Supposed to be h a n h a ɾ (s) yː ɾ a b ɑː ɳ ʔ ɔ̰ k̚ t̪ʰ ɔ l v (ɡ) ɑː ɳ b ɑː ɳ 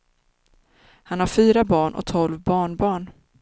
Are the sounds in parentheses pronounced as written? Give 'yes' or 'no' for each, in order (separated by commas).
no, no